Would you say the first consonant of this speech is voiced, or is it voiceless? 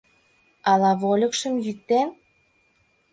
voiced